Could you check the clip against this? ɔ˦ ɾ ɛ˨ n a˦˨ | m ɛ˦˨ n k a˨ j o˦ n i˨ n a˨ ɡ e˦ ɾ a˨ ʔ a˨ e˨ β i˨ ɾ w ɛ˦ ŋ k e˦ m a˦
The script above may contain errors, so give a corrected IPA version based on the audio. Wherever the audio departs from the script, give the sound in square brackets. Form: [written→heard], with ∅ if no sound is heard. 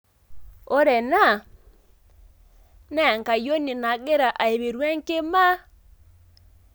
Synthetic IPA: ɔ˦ ɾ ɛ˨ n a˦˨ | [m→n] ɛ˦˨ [n→ŋ] k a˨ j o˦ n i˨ n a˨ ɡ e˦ ɾ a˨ ʔ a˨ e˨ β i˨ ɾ w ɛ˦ ŋ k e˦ m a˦